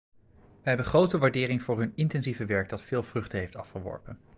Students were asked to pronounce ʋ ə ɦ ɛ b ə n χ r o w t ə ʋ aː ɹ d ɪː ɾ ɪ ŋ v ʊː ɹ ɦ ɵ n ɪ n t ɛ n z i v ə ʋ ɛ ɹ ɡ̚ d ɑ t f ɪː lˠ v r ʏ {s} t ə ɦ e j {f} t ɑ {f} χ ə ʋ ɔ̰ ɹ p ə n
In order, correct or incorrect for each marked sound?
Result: incorrect: χ, correct, correct

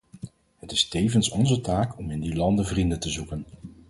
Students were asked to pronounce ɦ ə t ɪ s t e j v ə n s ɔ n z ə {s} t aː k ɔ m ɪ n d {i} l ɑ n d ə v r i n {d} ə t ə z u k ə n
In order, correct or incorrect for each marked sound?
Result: incorrect: none, correct, correct

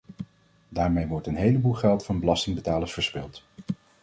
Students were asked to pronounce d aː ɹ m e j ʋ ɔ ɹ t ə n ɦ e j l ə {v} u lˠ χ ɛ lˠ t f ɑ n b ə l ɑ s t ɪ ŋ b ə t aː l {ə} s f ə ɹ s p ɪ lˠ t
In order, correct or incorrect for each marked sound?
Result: incorrect: b, correct

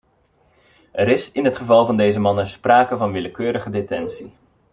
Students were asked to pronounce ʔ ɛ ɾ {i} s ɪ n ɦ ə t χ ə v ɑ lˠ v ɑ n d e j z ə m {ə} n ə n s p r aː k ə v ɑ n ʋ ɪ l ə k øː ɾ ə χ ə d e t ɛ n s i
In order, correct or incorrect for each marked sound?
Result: incorrect: ɪ, incorrect: ɑ

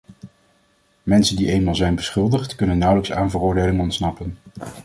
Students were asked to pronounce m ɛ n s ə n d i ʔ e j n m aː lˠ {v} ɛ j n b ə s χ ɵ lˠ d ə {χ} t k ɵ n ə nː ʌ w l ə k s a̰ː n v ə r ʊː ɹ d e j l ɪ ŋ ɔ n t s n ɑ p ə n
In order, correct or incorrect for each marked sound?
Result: incorrect: z, correct

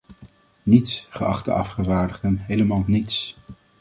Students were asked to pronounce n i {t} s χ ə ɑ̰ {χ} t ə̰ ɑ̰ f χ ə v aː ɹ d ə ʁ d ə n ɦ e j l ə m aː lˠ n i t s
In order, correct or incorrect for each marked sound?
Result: correct, correct

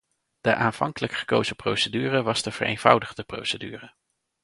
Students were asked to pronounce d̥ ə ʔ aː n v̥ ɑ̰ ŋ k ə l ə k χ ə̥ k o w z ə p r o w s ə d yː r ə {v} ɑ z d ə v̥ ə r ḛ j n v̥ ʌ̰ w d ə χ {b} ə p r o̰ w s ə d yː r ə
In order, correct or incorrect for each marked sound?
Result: incorrect: ʋ, incorrect: d

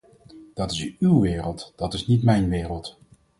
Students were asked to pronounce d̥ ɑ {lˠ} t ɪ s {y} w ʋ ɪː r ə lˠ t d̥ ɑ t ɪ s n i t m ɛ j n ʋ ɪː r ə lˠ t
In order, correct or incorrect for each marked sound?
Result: incorrect: none, correct

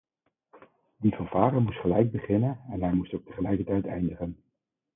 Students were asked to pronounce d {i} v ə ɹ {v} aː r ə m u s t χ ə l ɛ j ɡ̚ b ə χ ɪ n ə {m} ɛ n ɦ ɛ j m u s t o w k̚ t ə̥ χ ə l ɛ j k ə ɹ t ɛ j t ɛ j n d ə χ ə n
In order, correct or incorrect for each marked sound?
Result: correct, correct, incorrect: n

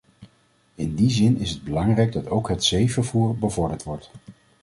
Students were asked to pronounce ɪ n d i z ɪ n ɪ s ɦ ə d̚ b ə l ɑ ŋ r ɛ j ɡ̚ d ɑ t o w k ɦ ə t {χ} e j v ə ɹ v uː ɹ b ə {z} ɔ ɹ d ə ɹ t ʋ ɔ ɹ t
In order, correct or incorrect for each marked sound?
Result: incorrect: s, incorrect: v

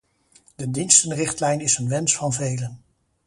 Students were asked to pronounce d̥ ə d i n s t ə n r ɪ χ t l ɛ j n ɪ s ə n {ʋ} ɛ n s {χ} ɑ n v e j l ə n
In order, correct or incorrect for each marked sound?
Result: correct, incorrect: f

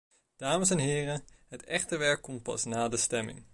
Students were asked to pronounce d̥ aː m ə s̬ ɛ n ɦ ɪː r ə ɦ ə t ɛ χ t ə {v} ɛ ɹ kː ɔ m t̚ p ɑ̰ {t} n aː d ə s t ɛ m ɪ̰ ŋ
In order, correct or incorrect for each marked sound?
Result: incorrect: ʋ, incorrect: s

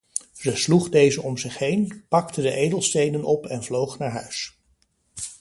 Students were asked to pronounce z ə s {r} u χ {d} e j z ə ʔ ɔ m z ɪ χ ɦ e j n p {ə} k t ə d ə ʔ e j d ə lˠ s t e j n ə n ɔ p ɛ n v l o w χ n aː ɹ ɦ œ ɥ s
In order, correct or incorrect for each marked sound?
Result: incorrect: l, correct, incorrect: ɑ

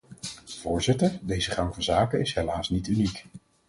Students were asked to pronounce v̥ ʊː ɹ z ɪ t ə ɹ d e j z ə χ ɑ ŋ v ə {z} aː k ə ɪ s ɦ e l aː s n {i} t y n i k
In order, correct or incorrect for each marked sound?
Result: correct, correct

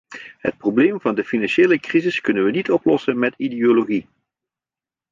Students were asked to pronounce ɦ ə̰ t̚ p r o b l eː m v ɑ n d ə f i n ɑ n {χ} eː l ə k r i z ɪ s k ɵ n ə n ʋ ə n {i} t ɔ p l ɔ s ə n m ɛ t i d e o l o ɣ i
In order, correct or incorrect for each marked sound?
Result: incorrect: ʃ, correct

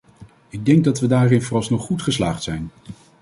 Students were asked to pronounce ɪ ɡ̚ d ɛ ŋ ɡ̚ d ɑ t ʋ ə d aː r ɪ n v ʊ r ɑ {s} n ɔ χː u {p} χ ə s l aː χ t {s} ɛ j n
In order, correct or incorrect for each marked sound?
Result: correct, incorrect: t, correct

